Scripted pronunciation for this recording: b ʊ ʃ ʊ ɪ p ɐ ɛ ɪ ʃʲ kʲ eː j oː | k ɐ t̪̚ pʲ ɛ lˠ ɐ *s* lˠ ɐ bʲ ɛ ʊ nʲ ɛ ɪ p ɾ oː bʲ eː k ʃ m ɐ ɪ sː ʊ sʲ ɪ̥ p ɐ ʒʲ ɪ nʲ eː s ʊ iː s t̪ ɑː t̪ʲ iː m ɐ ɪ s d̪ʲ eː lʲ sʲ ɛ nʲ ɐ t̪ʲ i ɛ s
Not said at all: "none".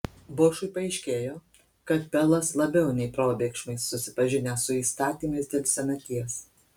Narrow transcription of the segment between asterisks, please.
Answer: s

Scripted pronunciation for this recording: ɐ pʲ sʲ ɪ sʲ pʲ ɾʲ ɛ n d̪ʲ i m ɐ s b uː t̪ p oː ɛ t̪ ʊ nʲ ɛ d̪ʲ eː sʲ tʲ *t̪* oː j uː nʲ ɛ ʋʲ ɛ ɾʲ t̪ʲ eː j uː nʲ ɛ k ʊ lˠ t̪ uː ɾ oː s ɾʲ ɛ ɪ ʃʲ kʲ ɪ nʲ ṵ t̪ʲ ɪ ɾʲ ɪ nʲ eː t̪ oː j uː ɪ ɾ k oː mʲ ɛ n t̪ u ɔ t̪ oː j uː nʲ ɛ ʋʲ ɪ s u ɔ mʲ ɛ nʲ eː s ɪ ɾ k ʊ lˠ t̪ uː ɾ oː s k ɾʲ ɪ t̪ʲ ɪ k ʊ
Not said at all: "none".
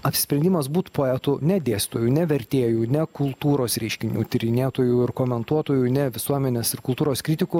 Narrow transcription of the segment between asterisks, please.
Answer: t̪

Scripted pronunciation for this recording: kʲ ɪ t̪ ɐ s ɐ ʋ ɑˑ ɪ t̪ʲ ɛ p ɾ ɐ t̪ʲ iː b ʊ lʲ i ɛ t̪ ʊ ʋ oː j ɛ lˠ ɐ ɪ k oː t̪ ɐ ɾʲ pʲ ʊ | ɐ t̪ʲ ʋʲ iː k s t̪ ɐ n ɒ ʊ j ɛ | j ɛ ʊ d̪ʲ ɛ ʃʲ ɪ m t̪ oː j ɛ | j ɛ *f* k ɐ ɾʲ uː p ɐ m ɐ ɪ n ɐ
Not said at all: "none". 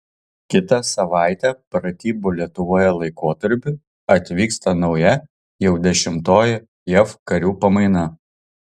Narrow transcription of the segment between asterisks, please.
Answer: f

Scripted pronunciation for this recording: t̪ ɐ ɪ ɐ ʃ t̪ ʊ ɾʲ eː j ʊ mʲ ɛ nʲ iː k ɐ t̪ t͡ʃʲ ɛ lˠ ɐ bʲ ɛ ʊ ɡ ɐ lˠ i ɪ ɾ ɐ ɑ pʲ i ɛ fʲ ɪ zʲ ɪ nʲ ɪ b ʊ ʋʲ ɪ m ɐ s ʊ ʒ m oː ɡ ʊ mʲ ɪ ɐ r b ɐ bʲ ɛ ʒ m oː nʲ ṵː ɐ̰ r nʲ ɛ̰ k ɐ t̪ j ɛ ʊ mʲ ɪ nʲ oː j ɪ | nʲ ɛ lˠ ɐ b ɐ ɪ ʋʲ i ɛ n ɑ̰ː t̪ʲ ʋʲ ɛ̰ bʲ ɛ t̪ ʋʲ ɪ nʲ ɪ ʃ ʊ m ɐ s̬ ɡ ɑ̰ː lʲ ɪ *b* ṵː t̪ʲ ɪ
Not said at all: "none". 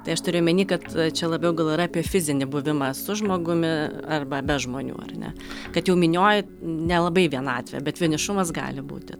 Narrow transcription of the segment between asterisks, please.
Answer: b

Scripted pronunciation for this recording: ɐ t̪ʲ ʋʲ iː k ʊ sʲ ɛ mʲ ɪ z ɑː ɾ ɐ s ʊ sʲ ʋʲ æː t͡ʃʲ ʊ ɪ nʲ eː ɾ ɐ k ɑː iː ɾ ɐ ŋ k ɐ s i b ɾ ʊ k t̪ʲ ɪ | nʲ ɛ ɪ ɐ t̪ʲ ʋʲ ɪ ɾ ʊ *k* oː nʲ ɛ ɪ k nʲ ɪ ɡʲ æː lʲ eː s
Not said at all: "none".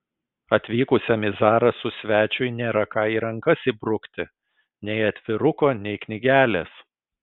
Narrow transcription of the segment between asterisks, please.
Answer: k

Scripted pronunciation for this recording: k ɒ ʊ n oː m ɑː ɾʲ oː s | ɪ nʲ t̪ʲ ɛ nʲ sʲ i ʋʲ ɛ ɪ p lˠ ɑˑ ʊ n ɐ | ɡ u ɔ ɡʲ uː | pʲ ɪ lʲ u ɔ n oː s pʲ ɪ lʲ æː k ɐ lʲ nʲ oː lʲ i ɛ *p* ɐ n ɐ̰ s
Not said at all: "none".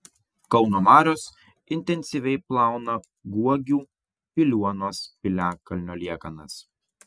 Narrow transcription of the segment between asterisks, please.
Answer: k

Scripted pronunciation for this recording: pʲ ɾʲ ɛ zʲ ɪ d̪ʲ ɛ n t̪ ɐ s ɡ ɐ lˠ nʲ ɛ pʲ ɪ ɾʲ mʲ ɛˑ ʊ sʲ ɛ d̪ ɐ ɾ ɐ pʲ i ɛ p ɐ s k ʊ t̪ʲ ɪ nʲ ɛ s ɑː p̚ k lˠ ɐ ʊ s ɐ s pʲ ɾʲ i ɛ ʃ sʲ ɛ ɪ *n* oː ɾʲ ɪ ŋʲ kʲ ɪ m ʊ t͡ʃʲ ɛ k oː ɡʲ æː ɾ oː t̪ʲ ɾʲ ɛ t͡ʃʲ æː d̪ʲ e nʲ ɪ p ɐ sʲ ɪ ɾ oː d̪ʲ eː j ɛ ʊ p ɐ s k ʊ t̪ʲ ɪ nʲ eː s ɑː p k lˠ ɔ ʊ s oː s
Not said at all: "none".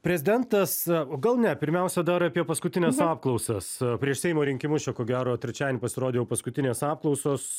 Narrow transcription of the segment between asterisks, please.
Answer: m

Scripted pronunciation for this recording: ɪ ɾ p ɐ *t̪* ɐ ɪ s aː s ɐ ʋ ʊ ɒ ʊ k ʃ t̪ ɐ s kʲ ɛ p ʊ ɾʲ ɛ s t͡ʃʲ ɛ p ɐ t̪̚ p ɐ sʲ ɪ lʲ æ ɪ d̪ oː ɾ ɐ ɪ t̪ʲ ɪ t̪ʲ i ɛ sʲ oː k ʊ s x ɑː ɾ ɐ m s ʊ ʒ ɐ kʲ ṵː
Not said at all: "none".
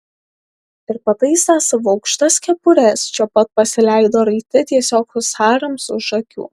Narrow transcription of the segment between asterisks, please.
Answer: t̪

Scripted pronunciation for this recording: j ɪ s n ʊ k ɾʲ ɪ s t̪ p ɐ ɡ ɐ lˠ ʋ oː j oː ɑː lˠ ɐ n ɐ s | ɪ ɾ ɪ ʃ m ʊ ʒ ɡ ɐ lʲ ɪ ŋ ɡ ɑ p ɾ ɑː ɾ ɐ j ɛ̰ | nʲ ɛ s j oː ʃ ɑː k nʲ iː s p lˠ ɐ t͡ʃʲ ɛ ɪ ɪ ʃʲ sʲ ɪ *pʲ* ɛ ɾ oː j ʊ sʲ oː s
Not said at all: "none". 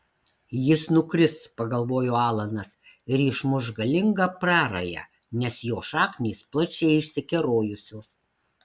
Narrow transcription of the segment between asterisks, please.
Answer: kʲ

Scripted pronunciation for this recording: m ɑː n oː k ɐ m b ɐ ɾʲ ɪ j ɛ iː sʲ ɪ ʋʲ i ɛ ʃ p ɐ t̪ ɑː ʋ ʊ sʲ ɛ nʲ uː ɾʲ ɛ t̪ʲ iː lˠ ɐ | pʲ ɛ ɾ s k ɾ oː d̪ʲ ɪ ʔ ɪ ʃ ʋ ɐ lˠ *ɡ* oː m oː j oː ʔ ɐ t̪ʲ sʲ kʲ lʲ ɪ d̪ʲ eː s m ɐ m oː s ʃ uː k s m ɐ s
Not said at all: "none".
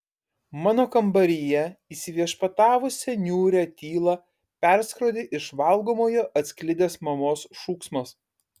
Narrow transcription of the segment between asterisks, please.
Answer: ɡ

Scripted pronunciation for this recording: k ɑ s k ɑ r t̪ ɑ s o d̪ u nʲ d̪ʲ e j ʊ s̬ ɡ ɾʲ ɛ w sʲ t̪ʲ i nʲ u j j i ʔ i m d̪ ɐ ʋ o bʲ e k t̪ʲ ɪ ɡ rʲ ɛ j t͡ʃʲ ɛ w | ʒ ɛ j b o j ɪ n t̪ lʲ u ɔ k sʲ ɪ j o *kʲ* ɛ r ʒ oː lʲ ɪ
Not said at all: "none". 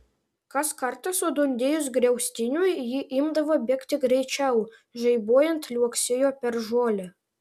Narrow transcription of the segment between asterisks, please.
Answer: pʲ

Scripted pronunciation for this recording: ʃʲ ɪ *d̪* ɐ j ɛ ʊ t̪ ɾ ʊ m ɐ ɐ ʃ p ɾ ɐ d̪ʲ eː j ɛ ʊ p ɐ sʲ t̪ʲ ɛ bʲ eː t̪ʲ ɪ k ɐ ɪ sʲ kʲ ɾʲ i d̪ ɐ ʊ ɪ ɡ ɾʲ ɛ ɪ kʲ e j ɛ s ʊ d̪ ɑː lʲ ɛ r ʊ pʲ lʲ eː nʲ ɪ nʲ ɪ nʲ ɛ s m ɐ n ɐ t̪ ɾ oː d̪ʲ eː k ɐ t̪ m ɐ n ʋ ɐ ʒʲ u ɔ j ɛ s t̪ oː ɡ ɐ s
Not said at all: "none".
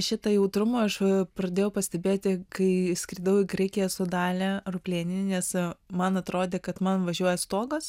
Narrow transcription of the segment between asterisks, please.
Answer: t̪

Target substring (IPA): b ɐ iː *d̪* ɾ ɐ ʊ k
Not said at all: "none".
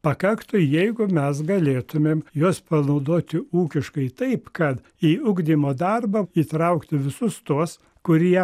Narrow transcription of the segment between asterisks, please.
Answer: t̪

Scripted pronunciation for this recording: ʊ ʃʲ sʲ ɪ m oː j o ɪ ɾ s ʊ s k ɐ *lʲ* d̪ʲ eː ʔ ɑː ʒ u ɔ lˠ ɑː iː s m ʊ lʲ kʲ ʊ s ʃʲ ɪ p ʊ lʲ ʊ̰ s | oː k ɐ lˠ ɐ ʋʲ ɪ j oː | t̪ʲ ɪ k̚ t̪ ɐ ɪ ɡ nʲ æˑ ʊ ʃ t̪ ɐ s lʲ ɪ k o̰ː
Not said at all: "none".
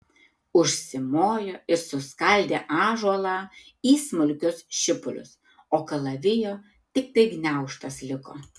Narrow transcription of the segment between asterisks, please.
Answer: lʲ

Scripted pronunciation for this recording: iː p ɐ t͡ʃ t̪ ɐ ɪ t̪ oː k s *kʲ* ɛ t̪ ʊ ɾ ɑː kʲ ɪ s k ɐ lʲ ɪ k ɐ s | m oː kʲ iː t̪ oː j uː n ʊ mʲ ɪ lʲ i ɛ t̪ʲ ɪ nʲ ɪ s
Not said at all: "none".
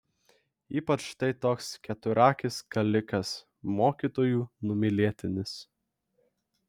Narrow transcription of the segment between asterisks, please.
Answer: kʲ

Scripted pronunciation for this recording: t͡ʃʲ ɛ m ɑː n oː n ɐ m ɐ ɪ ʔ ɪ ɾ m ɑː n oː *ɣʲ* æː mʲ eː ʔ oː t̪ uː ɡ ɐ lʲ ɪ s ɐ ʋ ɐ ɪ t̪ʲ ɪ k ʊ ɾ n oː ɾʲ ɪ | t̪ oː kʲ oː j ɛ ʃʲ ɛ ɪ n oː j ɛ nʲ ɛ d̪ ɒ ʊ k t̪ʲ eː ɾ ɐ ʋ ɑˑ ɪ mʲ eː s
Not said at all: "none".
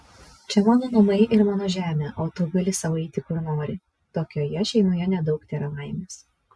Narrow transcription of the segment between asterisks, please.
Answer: ʒʲ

